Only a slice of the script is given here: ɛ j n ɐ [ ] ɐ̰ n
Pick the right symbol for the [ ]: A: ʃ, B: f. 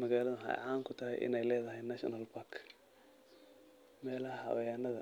A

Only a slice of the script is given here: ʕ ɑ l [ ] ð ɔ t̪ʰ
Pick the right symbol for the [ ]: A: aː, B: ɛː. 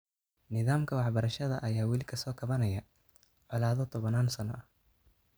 A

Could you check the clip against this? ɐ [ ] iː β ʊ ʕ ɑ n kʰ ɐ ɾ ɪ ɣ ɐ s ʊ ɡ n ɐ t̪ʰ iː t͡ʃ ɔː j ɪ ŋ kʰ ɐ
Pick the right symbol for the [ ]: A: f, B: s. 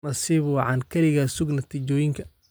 B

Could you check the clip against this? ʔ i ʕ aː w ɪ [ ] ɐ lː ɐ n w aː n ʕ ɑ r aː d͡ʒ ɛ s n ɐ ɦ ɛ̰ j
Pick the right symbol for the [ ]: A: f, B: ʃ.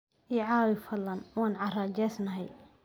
A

